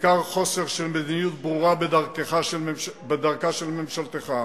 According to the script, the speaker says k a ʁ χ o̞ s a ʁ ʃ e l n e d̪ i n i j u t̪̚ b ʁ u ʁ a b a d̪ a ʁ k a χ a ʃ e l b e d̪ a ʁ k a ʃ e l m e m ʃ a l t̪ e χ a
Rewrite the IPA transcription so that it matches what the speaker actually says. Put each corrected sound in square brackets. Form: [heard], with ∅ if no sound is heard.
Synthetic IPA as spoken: k a ʁ χ o̞ s [e] ʁ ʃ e l [m] e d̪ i n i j u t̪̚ b ʁ u ʁ a b [e] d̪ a ʁ k [e] χ a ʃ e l b e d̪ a ʁ k a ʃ e l m e m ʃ a l t̪ e χ a